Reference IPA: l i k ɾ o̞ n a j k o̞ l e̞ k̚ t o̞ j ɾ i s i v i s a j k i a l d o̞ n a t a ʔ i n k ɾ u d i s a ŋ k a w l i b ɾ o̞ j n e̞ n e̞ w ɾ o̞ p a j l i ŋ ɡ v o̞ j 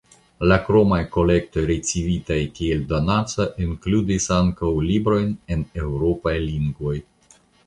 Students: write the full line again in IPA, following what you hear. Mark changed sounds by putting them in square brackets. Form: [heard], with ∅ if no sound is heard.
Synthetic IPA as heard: l [a] k ɾ o̞ [m] a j k o̞ l e̞ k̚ t o̞ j ɾ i [t͡s] i v i [t] a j k i [e] l d o̞ n a [t͡s] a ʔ i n k [l] u d i s a ŋ k a w l i b ɾ o̞ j n e̞ n e̞ w ɾ o̞ p a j l i ŋ ɡ v o̞ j